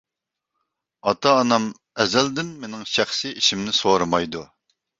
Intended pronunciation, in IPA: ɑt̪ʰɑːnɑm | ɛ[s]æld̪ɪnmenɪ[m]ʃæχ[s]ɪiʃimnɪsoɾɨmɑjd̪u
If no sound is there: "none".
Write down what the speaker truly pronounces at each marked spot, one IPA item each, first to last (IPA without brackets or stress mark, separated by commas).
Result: z, ŋ, s